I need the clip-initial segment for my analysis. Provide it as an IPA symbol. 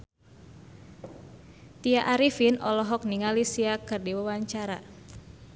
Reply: t̪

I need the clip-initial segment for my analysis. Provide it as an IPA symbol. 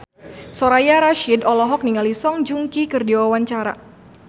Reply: s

